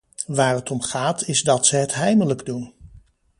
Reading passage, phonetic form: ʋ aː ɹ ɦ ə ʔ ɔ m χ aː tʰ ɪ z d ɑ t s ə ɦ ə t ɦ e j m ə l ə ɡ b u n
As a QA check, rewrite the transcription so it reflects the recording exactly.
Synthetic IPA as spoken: ʋ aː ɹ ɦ ə t ɔ m χ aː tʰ ɪ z d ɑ t s ə ɦ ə t ɦ ɛ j m ə l ə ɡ d u n